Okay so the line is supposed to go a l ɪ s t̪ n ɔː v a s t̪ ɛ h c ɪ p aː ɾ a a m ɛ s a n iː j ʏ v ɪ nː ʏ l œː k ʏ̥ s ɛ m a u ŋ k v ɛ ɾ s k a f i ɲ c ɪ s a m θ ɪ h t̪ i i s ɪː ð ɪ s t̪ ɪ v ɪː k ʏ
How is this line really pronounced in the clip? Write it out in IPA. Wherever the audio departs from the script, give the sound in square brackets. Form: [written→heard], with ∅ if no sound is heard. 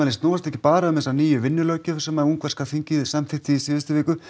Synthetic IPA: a l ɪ s t̪ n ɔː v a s t̪ ɛ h c ɪ p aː ɾ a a m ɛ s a n iː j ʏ v ɪ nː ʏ l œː [k→c] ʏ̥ s ɛ m a u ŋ k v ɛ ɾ s k a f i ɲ c ɪ s a m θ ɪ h t̪ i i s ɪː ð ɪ s t̪ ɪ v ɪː k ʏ